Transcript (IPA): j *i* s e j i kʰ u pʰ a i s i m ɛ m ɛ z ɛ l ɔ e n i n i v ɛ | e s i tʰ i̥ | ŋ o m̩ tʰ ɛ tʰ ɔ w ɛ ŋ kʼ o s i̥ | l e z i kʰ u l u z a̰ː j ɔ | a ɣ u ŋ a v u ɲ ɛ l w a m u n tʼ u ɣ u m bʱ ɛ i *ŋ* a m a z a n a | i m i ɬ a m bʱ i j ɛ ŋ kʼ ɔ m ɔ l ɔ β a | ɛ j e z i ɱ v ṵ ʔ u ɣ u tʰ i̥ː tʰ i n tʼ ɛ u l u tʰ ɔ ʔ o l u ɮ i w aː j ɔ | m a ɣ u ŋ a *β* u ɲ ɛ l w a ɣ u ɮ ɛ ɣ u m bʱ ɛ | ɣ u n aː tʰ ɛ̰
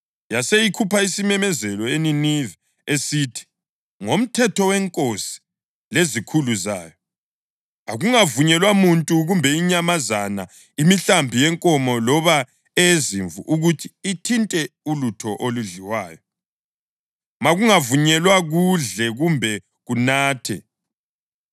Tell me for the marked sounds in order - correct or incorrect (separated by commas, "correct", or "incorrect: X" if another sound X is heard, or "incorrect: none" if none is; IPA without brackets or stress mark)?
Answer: incorrect: a, incorrect: ɲ, incorrect: v